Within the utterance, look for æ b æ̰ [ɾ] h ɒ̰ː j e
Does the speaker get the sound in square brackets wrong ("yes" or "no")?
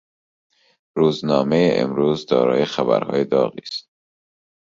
no